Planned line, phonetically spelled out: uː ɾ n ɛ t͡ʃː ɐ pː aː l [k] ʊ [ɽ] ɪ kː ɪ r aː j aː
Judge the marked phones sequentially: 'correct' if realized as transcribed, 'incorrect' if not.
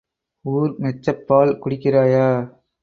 correct, correct

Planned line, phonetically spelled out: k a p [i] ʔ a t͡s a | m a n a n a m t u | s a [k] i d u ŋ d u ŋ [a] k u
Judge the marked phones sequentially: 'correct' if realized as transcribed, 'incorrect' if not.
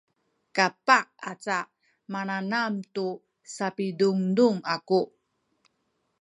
incorrect, incorrect, correct

